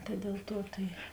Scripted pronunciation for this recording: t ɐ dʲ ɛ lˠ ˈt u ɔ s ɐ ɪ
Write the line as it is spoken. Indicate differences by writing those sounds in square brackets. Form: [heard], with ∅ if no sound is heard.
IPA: t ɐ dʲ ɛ lˠ ˈt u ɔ [t] ɐ ɪ